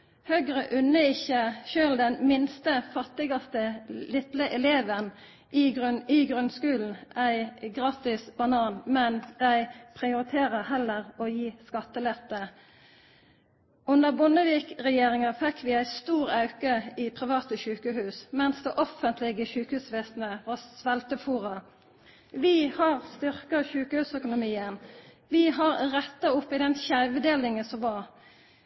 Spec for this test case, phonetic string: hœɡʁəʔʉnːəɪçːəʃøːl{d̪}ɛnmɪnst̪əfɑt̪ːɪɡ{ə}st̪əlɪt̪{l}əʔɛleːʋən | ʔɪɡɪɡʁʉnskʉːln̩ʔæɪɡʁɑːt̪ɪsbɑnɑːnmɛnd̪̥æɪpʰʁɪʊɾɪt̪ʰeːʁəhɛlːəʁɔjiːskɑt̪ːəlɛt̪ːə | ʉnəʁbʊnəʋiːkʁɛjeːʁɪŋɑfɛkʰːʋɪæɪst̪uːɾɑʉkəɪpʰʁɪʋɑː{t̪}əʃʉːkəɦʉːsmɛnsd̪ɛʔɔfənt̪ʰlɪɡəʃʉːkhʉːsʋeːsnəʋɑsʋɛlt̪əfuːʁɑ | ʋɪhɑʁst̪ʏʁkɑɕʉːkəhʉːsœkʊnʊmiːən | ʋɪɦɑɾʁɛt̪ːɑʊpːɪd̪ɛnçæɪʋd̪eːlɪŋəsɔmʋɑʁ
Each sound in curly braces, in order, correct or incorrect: correct, incorrect, correct, correct

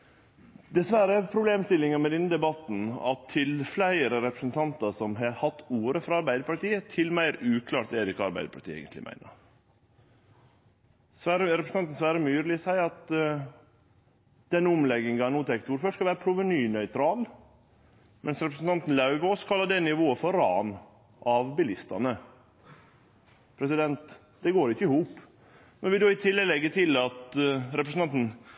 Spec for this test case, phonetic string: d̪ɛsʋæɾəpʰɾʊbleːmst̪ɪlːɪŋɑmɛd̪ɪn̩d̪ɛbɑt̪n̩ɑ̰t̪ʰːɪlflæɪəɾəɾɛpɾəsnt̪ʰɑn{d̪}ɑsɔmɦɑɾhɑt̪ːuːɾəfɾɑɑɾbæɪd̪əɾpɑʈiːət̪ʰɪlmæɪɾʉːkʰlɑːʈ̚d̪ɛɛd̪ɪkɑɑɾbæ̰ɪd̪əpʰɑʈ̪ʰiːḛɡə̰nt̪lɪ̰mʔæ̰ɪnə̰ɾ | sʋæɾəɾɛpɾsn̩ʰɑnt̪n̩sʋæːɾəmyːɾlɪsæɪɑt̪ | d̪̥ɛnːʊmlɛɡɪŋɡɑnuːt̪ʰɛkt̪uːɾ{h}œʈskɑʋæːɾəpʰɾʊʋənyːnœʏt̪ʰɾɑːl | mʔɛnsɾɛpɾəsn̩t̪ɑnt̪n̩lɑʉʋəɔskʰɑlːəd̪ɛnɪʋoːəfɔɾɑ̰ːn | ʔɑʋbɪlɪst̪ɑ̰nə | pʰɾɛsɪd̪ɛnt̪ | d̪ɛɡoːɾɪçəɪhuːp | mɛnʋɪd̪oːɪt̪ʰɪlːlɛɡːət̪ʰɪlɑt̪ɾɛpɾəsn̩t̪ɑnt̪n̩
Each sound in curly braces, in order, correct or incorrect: incorrect, incorrect

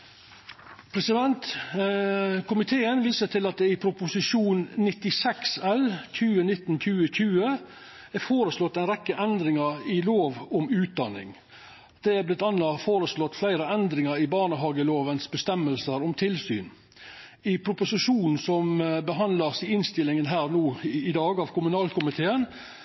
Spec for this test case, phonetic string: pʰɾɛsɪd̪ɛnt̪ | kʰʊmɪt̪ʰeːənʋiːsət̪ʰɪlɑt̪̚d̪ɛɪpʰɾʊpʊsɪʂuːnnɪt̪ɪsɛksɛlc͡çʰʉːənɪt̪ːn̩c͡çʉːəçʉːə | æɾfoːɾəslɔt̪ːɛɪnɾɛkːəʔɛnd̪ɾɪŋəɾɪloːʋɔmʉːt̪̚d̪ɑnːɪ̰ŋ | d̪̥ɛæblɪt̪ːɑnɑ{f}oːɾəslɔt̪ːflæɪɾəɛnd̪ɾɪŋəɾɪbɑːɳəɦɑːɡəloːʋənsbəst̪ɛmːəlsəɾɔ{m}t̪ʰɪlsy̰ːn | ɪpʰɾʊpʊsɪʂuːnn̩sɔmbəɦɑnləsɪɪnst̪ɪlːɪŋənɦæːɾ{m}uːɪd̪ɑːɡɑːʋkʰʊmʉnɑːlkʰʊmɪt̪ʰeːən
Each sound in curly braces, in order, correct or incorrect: correct, correct, incorrect

